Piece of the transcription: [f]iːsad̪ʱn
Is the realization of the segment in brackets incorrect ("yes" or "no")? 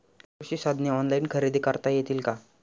yes